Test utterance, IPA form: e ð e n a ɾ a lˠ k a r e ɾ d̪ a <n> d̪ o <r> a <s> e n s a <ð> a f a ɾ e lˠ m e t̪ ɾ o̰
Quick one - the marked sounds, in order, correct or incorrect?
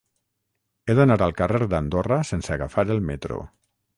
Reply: correct, correct, correct, incorrect

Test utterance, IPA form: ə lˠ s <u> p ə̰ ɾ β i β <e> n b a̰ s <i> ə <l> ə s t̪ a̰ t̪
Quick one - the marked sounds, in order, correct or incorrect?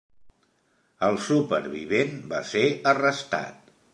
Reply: correct, correct, incorrect, incorrect

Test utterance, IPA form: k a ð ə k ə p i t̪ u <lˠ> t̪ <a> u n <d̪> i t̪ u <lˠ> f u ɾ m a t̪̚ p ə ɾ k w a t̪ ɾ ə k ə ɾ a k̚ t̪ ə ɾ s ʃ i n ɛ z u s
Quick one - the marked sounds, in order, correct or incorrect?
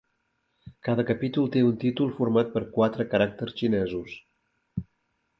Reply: correct, incorrect, incorrect, correct

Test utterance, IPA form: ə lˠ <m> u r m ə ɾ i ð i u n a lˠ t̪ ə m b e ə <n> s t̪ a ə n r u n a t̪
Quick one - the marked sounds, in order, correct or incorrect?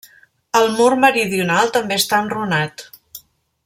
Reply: correct, incorrect

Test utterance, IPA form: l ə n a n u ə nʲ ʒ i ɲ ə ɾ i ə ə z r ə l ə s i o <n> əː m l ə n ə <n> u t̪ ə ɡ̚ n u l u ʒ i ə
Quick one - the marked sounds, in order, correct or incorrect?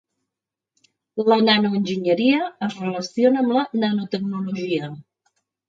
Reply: correct, correct

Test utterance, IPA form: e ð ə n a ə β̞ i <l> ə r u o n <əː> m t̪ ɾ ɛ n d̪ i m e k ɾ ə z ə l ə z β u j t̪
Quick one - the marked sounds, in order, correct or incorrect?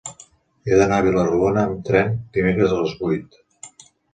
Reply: correct, correct

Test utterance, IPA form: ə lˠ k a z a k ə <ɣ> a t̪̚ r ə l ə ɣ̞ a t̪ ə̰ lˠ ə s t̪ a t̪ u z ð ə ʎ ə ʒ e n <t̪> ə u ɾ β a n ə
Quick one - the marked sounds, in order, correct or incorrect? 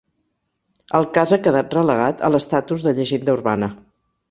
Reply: incorrect, incorrect

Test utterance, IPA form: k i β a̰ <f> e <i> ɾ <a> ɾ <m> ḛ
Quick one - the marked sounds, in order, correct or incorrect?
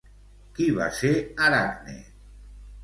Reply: incorrect, incorrect, correct, incorrect

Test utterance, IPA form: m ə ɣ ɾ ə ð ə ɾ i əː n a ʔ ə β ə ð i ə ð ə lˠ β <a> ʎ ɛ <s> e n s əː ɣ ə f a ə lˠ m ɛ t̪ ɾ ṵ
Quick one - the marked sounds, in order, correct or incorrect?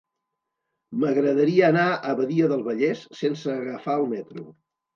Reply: incorrect, incorrect

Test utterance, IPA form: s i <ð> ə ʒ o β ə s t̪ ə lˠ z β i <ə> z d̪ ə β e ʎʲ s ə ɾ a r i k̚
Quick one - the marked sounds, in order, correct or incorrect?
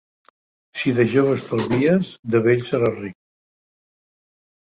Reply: correct, correct

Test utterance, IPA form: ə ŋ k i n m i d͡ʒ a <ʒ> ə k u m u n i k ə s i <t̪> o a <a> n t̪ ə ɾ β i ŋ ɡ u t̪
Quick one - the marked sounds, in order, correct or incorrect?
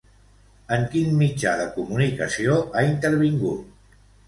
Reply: incorrect, incorrect, incorrect

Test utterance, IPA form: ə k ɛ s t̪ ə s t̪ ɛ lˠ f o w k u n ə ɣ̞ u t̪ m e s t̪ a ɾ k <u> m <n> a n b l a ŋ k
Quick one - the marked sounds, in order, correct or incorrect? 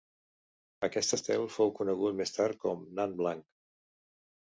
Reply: incorrect, correct

